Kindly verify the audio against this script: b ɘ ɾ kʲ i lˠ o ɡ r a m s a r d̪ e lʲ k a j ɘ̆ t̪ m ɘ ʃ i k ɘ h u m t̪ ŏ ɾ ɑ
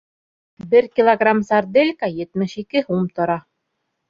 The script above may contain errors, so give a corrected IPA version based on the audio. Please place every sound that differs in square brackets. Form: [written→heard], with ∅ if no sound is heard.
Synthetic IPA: b ɘ ɾ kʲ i lˠ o ɡ r a m s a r d̪ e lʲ k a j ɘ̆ t̪ m ɘ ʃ i k ɘ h u m t̪ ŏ ɾ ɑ